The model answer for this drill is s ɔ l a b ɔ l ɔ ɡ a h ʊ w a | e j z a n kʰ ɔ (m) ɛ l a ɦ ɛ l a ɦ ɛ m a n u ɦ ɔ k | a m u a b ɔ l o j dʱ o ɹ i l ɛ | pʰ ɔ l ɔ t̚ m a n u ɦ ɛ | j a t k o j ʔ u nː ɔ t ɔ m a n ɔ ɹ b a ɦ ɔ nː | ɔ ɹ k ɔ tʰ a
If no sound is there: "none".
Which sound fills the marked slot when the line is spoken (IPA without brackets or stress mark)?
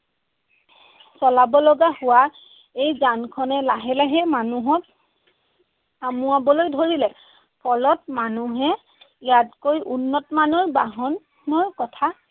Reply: n